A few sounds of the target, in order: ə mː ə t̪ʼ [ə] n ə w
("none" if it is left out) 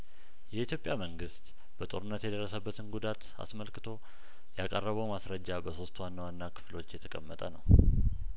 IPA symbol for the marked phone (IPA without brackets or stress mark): ə